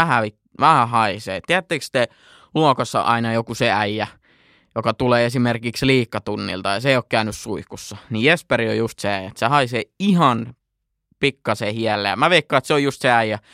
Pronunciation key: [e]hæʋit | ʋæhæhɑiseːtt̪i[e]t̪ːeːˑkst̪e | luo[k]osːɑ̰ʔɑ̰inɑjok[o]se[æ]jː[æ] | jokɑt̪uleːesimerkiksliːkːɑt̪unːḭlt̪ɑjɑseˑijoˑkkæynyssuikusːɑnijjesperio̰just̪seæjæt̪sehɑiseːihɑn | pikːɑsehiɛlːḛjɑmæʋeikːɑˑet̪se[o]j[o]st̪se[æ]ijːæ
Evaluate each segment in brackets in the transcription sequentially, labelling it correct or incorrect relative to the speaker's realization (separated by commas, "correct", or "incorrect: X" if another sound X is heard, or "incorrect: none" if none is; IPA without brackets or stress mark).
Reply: incorrect: æ, incorrect: æ, correct, incorrect: u, correct, correct, correct, incorrect: u, correct